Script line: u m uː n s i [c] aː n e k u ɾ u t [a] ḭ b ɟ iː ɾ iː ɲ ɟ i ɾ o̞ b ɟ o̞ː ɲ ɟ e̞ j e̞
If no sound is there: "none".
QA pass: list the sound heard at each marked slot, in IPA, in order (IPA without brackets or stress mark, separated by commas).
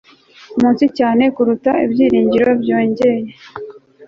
c, a